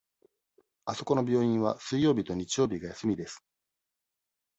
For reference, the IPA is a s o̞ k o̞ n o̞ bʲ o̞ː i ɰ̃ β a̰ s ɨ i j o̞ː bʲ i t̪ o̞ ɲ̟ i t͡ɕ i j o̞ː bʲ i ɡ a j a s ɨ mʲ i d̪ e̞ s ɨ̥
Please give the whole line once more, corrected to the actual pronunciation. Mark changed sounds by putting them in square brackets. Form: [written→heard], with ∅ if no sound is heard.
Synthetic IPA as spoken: a s o̞ k o̞ n o̞ bʲ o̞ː [i→ĩ] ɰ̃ β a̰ s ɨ i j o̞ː bʲ i t̪ o̞ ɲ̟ i t͡ɕ i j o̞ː bʲ i ɡ a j a s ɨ mʲ i d̪ e̞ s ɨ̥